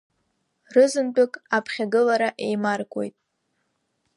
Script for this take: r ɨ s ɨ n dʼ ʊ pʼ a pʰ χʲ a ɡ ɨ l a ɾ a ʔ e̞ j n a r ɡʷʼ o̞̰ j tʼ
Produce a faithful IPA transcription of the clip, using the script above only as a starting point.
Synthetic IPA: r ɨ z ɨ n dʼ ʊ kʼ a pʰ χʲ a ɡ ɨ l a ɾ a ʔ e̞ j m a r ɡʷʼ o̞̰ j tʼ